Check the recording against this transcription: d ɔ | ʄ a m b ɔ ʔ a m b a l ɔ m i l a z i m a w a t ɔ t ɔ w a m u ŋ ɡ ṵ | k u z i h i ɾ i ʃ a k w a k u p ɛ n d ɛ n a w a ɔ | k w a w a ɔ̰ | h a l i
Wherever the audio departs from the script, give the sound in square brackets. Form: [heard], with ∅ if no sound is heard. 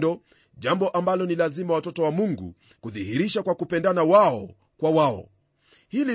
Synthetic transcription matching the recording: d ɔ | ʄ a m b ɔ ʔ a m b a l ɔ [n] i l a z i m a w a t ɔ t ɔ w a m u ŋ ɡ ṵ | k u [ð] i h i ɾ i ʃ a k w a k u p ɛ n d [a] n a w a ɔ | k w a w a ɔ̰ | h [i] l i